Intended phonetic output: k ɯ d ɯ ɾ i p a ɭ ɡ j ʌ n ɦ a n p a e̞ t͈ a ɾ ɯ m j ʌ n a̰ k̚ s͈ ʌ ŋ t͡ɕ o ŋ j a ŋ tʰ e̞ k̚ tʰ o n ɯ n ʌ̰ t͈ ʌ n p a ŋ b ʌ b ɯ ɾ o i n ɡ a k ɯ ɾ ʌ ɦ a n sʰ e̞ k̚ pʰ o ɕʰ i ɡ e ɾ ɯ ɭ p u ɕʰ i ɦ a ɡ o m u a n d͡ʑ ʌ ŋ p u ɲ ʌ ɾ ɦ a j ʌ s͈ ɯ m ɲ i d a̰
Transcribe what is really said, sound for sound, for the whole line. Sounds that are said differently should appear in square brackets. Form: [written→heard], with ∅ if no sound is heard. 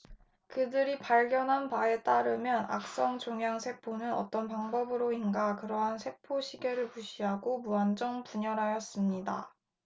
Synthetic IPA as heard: k ɯ d ɯ ɾ i p a ɭ ɡ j ʌ n ɦ a n p a e̞ t͈ a ɾ ɯ m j ʌ n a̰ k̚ s͈ ʌ ŋ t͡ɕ o ŋ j a ŋ [tʰ→sʰ] e̞ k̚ [tʰ→pʰ] o n ɯ n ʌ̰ t͈ ʌ n p a ŋ b ʌ b ɯ ɾ o i n ɡ a k ɯ ɾ ʌ ɦ a n sʰ e̞ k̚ pʰ o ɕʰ i ɡ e ɾ ɯ ɭ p u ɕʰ i ɦ a ɡ o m u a n d͡ʑ ʌ ŋ p u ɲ ʌ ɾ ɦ a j ʌ s͈ ɯ m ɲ i d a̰